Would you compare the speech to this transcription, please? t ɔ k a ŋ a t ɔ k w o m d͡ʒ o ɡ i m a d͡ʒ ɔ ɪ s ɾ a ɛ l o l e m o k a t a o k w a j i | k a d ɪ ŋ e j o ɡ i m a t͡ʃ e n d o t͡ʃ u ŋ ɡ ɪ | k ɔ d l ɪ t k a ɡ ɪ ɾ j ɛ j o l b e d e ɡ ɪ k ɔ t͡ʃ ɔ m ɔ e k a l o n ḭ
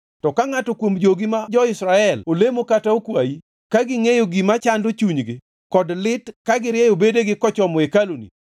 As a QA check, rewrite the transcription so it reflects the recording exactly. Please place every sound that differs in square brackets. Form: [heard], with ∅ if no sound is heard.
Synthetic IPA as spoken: t ɔ k a ŋ a t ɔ k w o m d͡ʒ o ɡ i m a d͡ʒ ɔ ɪ s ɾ a ɛ l o l e m o k a t a o k w a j i | k a [ɡ] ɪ ŋ e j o ɡ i m a t͡ʃ [a] n d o t͡ʃ u [ɲ] ɡ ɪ | k ɔ d l ɪ t k a ɡ ɪ ɾ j ɛ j o [∅] b e d e ɡ ɪ k ɔ t͡ʃ ɔ m ɔ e k a l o n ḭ